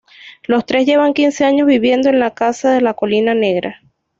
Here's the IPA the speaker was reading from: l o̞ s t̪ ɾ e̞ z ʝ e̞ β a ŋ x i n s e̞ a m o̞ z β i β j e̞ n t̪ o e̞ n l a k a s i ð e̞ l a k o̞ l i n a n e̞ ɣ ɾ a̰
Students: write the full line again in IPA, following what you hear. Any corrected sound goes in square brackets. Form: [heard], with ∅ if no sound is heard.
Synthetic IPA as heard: l o̞ s t̪ ɾ e̞ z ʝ e̞ β a ŋ [k] i n s e̞ a [ɲ] o̞ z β i β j e̞ n [d̪] o e̞ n l a k a s [a] ð e̞ l a k o̞ l i n a n e̞ ɣ ɾ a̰